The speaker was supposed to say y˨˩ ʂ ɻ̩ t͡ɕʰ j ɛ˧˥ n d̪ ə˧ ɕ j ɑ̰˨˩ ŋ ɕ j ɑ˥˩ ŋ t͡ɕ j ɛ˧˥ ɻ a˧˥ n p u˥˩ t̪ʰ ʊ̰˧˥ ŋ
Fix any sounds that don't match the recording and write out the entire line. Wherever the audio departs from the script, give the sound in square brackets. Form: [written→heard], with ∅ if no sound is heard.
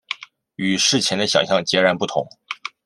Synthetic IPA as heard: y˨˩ ʂ ɻ̩ t͡ɕʰ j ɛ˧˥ n d̪ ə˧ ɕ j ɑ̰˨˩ ŋ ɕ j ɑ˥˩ ŋ t͡ɕ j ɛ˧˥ ɻ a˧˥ n p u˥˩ t̪ʰ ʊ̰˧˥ ŋ